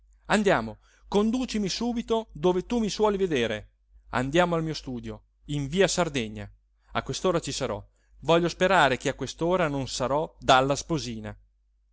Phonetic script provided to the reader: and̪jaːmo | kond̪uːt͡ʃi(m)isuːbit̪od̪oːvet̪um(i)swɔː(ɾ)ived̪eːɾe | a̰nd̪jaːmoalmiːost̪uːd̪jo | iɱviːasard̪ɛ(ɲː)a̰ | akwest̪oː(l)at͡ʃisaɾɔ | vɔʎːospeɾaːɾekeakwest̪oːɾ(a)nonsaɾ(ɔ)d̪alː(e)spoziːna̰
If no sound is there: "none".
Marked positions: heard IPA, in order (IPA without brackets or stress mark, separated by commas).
m, i, l, ɲː, ɾ, a, ɔ, a